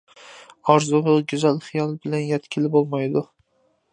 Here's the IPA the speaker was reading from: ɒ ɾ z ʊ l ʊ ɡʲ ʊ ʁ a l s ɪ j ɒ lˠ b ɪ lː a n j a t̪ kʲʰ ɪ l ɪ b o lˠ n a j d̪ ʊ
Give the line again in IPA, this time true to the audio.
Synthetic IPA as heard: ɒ ɾ z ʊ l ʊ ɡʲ ʊ z a l χ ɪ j ɒ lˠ b ɪ l a n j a t̪ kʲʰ ɪ l ɪ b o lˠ m a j d̪ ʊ

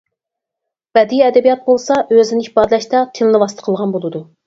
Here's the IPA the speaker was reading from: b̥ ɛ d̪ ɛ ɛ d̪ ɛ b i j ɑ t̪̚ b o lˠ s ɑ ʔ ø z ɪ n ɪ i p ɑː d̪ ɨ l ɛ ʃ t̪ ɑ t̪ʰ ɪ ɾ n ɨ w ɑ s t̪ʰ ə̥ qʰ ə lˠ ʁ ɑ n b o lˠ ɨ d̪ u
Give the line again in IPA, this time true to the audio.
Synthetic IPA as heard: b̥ ɛ d̪ i ɛ d̪ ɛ b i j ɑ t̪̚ b o lˠ s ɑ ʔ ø z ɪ n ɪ i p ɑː d̪ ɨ l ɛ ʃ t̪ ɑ t̪ʰ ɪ l n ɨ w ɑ s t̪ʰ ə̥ qʰ ə lˠ ʁ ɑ n b o lˠ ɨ d̪ u

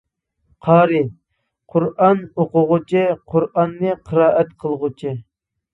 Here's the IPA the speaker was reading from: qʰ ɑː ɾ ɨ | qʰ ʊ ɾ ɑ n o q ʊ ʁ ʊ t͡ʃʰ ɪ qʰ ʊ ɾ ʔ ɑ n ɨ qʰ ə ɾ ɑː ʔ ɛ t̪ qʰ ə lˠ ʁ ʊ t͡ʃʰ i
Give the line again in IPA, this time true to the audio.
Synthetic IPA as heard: qʰ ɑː ɾ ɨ | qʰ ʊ ɾ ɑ n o q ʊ ʁ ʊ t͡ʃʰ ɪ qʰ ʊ ɾ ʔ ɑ nː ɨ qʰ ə ɾ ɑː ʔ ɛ t̪ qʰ ə lˠ ʁ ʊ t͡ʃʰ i

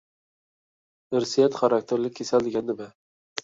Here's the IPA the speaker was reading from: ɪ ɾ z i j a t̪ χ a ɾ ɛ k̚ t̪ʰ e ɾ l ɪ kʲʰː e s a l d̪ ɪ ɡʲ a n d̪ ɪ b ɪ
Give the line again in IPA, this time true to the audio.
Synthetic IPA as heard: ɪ ɾ s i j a t̪ χ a ɾ a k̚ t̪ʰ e ɾ l ɪ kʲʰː e s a l d̪ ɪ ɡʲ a n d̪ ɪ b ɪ

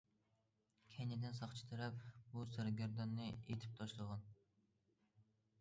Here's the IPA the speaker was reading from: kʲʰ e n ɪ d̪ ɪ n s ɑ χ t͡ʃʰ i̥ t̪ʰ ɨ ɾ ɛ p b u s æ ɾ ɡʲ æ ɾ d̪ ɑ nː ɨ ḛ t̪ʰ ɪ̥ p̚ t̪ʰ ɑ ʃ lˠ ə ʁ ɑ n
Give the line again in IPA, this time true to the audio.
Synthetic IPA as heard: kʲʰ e n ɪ d̪ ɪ n s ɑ χ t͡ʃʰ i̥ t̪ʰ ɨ ɾ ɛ p b u s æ ɾ ɡʲ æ ɾ d̪ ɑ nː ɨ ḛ t̪ʰ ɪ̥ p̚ t̪ʰ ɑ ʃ lˠ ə ʁ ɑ n

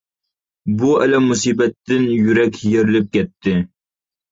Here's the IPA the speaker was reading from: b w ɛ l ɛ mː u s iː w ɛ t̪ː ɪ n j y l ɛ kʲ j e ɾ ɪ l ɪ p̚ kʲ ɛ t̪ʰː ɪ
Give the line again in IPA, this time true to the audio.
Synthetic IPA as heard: b u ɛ l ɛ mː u s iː b ɛ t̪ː ɪ n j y ɾ ɛ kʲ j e ɾ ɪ l ɪ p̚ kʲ ɛ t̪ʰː ɪ

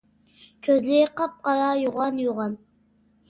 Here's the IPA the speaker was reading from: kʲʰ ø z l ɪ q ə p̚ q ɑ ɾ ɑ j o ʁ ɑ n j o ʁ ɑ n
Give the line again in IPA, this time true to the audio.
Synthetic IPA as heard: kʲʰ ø z l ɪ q ɑ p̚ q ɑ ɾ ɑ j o ʁ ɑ n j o ʁ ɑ n

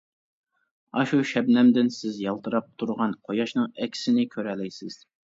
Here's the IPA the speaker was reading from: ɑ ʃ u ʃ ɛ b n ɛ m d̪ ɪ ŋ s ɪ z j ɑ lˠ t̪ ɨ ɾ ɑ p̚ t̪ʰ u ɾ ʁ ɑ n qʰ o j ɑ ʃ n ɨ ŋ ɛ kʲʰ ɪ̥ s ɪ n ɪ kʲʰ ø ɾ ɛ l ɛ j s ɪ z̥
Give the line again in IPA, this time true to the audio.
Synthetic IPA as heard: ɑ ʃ u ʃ ɛ b n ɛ m d̪ ɪ n s ɪ z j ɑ lˠ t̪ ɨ ɾ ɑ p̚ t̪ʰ u ɾ ʁ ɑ n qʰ o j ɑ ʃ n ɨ ŋ ɛ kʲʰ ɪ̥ s ɪ n ɪ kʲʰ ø ɾ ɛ l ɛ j s ɪ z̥

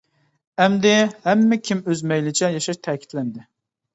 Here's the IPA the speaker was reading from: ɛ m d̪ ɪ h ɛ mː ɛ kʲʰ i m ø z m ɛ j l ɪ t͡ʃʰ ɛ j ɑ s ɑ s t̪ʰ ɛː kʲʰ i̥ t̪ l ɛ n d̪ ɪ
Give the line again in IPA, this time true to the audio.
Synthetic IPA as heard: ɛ m d̪ ɪ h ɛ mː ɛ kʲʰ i m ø z m ɛ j l ɪ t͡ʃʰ ɛ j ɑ ʃ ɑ ʃ t̪ʰ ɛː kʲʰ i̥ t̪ l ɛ n d̪ ɪ

